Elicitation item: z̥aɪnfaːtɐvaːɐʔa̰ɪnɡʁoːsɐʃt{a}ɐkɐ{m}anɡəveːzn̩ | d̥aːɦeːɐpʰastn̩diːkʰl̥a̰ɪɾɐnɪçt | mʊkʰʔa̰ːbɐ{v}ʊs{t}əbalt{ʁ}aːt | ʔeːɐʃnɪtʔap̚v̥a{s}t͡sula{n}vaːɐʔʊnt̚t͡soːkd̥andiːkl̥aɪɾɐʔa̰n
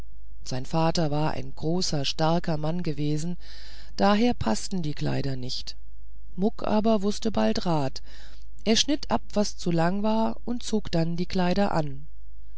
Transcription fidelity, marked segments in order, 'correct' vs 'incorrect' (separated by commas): correct, correct, correct, correct, correct, correct, incorrect